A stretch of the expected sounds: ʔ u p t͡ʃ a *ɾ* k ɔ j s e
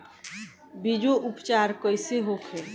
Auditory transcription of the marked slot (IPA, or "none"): ɾ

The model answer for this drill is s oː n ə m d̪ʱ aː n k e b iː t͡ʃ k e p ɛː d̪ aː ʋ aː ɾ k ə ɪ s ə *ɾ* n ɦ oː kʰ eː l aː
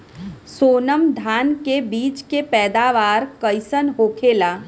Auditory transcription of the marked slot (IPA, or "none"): none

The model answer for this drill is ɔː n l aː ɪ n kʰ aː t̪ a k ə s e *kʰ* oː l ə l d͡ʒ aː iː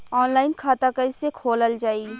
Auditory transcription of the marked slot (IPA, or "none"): kʰ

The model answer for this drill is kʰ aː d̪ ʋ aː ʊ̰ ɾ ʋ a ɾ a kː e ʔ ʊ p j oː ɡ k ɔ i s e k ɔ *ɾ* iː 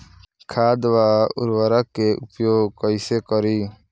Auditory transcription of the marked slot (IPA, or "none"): ɾ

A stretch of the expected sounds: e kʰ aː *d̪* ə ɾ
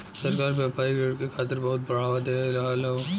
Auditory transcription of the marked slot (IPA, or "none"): t̪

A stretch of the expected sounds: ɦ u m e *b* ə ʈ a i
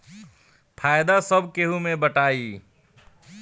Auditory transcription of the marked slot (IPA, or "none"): b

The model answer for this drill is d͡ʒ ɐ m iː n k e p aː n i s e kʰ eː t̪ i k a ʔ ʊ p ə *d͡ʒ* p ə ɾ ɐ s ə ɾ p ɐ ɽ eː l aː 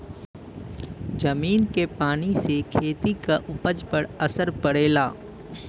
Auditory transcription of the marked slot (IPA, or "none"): d͡ʒ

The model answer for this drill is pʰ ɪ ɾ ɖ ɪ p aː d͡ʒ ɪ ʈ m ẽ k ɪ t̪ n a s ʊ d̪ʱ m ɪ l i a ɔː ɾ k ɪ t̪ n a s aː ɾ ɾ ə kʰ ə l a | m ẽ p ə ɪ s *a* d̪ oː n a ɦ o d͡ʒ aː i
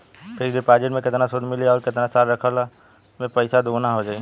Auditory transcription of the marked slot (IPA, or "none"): a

